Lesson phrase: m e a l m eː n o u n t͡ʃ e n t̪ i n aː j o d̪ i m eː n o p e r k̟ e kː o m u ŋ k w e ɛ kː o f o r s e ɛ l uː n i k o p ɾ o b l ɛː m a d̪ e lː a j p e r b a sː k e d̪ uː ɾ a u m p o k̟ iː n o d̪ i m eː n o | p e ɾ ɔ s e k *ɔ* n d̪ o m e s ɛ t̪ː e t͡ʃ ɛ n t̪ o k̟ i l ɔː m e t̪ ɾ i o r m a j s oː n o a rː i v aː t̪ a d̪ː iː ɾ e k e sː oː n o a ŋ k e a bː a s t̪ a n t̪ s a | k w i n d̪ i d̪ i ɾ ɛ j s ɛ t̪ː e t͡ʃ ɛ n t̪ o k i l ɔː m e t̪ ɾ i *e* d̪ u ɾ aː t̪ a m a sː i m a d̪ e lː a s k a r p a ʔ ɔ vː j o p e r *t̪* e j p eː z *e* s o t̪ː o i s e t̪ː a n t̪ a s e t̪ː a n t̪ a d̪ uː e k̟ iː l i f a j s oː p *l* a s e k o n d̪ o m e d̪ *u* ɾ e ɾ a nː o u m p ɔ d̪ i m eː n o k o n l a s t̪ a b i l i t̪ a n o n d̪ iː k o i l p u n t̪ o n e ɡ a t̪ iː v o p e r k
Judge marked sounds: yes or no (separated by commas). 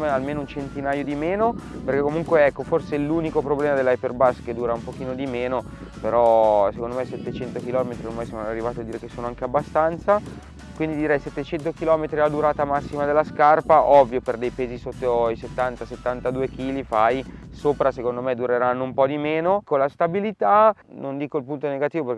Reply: no, no, no, no, no, yes